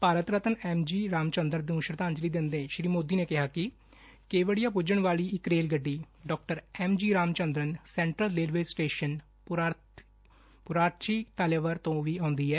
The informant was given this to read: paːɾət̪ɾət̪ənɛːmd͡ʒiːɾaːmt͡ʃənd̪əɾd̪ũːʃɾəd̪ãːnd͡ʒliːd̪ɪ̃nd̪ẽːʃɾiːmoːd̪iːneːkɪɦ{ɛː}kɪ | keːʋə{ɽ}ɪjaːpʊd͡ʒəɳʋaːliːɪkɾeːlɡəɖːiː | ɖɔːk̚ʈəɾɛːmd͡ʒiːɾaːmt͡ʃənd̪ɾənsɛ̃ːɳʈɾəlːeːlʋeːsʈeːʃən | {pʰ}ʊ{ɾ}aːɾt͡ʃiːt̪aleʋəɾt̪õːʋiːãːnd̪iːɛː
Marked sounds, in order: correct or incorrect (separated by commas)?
incorrect, correct, incorrect, correct